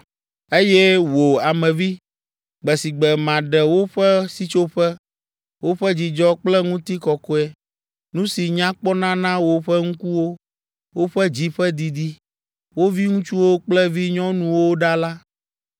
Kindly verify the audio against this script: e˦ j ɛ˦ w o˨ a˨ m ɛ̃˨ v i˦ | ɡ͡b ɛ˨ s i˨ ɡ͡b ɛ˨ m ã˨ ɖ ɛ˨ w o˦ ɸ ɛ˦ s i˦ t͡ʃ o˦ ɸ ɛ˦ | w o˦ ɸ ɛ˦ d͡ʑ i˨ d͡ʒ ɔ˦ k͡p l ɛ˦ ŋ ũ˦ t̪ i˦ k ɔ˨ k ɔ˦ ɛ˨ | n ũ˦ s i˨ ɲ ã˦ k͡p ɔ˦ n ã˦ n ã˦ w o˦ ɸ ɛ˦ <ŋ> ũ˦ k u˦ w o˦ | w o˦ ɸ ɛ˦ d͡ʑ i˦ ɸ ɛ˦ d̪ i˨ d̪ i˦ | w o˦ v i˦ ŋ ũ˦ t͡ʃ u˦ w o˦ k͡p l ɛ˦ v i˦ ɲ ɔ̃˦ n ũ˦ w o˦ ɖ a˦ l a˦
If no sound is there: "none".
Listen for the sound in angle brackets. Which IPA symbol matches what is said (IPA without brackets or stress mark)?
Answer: ŋ